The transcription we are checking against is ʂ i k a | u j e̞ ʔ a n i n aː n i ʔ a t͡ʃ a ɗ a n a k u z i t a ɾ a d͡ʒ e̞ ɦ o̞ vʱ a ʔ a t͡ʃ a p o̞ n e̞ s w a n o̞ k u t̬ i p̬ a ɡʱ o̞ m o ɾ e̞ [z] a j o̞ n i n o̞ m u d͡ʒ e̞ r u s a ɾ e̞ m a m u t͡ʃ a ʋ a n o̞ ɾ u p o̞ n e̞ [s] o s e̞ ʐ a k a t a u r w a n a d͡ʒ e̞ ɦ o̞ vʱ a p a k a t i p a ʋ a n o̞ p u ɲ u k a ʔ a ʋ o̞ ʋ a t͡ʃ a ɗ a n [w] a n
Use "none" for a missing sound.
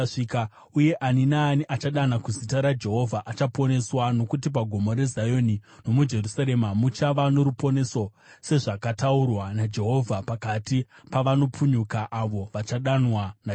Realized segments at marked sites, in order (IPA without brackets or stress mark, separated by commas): z, s, w